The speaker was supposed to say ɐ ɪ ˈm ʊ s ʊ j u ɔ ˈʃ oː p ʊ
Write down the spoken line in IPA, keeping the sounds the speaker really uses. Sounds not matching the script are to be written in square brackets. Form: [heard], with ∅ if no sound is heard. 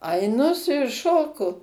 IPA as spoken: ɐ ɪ [ˈn] ʊ s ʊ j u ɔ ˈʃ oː [k] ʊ